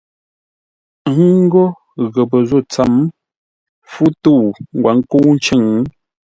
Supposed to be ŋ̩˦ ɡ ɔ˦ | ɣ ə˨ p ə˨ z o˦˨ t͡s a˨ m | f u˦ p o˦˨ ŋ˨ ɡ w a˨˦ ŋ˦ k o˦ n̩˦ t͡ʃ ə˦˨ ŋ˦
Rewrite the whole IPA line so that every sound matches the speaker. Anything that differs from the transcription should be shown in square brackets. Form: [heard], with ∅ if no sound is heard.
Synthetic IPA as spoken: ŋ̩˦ ɡ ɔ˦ | ɣ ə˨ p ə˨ z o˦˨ t͡s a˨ m | f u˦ [t] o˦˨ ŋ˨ ɡ w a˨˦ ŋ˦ k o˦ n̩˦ t͡ʃ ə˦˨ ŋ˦